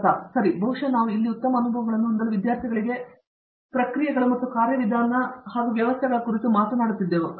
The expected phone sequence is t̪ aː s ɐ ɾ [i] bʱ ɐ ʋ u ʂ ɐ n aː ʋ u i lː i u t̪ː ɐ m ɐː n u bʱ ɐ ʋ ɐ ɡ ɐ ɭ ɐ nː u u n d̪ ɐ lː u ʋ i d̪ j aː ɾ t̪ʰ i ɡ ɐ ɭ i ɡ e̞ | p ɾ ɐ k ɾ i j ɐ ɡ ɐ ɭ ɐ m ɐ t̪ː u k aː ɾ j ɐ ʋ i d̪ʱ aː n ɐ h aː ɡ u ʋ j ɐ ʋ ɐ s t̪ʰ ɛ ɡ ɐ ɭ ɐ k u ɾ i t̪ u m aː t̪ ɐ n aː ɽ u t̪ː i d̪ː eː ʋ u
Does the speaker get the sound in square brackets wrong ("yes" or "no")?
no